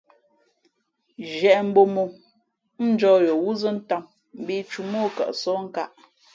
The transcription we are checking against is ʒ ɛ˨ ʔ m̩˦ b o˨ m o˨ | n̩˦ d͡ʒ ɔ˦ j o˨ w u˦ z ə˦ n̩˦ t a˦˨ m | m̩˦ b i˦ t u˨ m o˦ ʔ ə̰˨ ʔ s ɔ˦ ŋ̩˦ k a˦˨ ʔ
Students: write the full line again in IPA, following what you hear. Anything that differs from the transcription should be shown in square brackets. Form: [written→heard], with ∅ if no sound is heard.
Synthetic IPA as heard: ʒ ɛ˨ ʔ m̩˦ b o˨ m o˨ | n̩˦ d͡ʒ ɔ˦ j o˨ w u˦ z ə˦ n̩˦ t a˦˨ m | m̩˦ b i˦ [t→t͡ʃ] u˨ m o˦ [ʔ→k] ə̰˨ ʔ s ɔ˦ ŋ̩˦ k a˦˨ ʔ